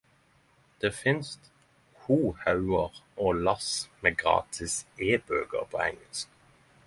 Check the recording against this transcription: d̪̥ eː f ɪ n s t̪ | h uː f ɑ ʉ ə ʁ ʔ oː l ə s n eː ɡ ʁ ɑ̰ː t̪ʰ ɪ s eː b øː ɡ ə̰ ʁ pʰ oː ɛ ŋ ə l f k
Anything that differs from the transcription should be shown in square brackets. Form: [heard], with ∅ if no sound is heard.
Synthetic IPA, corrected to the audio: d̪̥ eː f ɪ n s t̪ | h uː [h] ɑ ʉ ə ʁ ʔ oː l [ɑ] s [m] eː ɡ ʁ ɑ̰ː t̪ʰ ɪ s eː b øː ɡ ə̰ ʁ pʰ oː ɛ ŋ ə l [s] k